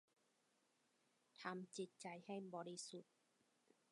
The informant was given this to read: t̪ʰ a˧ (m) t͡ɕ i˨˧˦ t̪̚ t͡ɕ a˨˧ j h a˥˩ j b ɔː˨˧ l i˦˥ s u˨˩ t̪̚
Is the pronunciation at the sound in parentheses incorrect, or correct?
correct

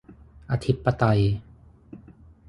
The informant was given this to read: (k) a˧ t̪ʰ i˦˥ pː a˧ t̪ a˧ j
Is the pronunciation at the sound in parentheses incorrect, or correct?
incorrect: ʔ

